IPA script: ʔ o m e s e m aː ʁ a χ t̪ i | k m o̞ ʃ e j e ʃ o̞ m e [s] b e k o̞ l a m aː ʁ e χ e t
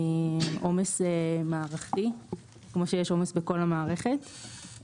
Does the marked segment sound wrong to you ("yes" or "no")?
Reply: no